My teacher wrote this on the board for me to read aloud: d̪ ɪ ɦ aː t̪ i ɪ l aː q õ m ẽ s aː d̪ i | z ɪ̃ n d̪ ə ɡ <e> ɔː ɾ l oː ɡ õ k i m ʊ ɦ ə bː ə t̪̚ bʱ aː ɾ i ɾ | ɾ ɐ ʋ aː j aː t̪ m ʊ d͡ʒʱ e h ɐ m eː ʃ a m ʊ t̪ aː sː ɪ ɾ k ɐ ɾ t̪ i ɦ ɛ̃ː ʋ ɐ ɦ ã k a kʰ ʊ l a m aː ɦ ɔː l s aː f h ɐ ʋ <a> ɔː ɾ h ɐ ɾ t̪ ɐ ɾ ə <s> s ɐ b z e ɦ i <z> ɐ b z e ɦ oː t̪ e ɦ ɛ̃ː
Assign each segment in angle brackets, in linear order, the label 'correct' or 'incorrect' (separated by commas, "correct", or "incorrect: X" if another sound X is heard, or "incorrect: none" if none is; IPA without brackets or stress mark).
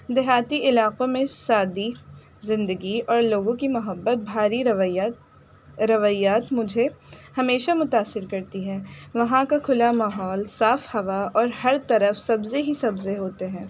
incorrect: i, correct, incorrect: f, incorrect: s